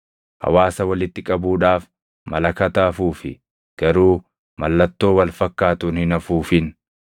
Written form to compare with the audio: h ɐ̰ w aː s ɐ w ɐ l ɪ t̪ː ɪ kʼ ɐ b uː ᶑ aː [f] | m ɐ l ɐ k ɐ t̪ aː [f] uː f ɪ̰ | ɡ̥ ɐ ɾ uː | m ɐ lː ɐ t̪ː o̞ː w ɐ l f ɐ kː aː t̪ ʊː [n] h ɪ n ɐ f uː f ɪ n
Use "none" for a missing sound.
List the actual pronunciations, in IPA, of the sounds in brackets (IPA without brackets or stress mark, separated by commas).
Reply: f, f, n